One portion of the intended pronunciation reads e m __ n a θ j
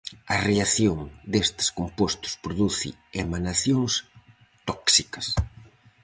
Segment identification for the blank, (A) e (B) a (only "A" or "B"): B